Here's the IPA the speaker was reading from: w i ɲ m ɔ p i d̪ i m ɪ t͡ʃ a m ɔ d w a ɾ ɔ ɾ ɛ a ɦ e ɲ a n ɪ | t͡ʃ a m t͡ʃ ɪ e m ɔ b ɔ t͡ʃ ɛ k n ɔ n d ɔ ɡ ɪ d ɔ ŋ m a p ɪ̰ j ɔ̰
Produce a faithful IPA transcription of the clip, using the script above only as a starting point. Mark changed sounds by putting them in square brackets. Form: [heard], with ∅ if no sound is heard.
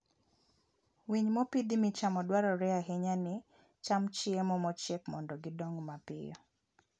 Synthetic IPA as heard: w i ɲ m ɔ p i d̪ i m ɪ t͡ʃ a m ɔ d w a ɾ ɔ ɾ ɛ a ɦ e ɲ a n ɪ | t͡ʃ a m t͡ʃ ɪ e m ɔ [m] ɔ t͡ʃ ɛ k [m] ɔ n d ɔ ɡ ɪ d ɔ ŋ m a p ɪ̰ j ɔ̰

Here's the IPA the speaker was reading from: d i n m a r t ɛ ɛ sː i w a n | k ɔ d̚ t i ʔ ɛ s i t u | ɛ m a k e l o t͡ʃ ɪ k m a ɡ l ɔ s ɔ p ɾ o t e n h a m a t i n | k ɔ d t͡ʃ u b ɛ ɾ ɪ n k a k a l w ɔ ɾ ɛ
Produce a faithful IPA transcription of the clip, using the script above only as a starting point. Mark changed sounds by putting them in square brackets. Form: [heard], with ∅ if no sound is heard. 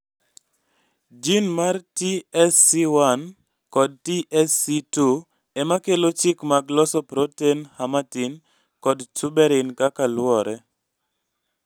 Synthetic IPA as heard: [d͡ʒ] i n m a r t [i] ɛ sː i w a n | k ɔ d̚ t i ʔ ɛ s i t u | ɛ m a k e l o t͡ʃ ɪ k m a ɡ l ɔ s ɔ p ɾ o t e n h a m a t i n | k ɔ d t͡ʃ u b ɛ ɾ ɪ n k a k a l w ɔ ɾ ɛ

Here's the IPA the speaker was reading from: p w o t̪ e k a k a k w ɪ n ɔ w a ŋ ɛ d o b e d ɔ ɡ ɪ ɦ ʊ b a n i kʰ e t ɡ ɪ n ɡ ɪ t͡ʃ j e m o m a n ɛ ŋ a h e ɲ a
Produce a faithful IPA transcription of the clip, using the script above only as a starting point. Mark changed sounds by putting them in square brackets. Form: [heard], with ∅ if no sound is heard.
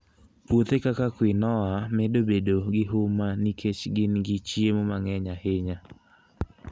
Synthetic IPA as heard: p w o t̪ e k a k a k w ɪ n ɔ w a [m] ɛ d o b e d [o] ɡ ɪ ɦ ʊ [m] a n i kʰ e [t͡ʃ] ɡ ɪ n ɡ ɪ t͡ʃ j e m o m a [ŋ] ɛ [ɲ] a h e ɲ a

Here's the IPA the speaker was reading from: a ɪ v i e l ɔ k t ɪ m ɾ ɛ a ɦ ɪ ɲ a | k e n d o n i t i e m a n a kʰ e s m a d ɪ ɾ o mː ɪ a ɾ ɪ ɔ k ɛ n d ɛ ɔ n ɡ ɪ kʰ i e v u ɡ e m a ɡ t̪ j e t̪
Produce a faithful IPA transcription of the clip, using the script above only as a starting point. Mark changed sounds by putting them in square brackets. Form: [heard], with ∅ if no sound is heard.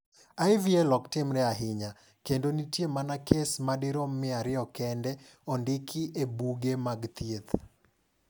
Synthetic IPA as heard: a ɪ v i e l ɔ k t ɪ m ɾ ɛ a ɦ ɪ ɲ a | k e n d o n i t [j] e m a n a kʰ e s m a d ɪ ɾ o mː ɪ a ɾ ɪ ɔ k ɛ n d ɛ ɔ n [d] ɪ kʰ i e [b] u ɡ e m a ɡ t̪ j e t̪

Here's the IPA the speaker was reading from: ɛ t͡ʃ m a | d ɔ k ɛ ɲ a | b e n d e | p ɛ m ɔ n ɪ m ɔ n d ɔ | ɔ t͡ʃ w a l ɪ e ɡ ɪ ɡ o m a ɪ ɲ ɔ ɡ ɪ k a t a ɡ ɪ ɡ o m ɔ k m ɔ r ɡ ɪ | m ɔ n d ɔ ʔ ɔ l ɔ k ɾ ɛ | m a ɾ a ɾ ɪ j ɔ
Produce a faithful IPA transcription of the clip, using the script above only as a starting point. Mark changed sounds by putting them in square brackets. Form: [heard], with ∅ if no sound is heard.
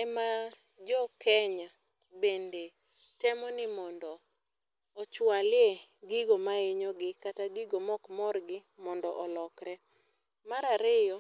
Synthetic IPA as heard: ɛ [∅] m a | [d͡ʒ] ɔ k ɛ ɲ a | b e n d e | [t] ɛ m ɔ n ɪ m ɔ n d ɔ | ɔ t͡ʃ w a l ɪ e ɡ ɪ ɡ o m a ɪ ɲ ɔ ɡ ɪ k a t a ɡ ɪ ɡ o m ɔ k m ɔ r ɡ ɪ | m ɔ n d ɔ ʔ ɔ l ɔ k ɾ ɛ | m a ɾ a ɾ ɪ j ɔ

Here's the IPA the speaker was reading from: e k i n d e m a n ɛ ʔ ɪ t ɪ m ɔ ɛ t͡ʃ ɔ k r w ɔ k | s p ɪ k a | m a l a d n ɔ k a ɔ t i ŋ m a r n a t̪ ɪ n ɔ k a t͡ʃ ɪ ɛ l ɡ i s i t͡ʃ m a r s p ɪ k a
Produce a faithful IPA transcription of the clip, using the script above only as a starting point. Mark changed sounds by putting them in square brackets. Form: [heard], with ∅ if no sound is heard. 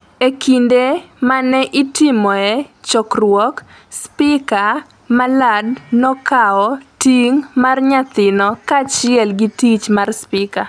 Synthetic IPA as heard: e k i n d e m a n ɛ ʔ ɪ t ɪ m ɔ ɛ t͡ʃ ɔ k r w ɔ k | s p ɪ k a | m a l a d n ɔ k a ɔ t i ŋ m a r [ɲ] a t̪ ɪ n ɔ k a t͡ʃ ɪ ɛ l ɡ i [t] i t͡ʃ m a r s p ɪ k a

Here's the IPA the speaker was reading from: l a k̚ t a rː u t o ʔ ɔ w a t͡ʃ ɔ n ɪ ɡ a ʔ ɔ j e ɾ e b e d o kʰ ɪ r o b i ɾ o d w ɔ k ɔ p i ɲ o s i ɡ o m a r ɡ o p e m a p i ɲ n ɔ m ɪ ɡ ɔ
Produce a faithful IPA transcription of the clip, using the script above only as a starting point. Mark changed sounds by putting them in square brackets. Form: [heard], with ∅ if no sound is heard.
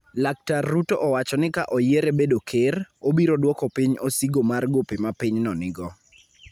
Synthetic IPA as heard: l a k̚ t a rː u t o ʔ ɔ w a t͡ʃ ɔ n ɪ [k] a ʔ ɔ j e ɾ e b e d o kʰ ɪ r o b i ɾ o d w ɔ k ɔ p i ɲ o s i ɡ o m a r ɡ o p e m a p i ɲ n ɔ [n] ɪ ɡ ɔ

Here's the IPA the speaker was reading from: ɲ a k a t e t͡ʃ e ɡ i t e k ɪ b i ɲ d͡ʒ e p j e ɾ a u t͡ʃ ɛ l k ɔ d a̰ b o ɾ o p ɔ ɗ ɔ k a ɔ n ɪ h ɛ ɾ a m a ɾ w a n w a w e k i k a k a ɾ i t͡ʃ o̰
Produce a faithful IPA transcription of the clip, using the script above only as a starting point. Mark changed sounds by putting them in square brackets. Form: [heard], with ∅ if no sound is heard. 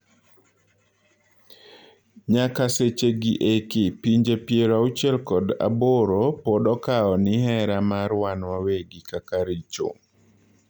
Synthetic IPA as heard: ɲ a k a [s] e t͡ʃ e ɡ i [ʔ] e k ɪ [p] i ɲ d͡ʒ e p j e ɾ a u t͡ʃ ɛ l k ɔ d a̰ b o ɾ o p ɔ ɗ ɔ k a ɔ n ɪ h ɛ ɾ a m a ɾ w a n w a w e [ɡ] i k a k a ɾ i t͡ʃ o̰

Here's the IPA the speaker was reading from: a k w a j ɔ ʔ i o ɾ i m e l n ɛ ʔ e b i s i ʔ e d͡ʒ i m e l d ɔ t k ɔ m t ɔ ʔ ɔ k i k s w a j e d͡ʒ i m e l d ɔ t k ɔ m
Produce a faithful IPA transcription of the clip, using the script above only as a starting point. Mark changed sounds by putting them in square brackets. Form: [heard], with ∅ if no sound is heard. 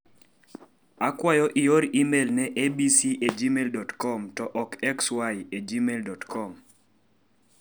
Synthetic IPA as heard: a k w a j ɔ ʔ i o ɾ i m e l n ɛ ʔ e b i s i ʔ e d͡ʒ i m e l d ɔ t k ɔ m t ɔ ʔ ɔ k [ɛ] k s w a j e d͡ʒ i m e l d ɔ t k ɔ m

